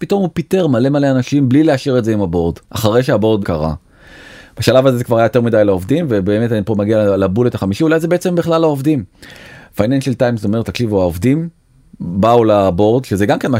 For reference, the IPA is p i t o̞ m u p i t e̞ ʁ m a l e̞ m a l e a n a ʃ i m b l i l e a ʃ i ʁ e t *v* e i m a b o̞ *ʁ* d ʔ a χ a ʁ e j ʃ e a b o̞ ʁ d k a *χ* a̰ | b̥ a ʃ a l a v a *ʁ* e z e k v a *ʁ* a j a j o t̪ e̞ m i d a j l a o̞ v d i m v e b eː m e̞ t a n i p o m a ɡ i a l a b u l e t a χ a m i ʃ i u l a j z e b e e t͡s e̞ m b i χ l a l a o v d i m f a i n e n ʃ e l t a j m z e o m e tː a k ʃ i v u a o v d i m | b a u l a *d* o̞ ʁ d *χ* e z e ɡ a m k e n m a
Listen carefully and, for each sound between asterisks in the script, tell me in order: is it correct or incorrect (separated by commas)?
incorrect, correct, incorrect, incorrect, correct, incorrect, incorrect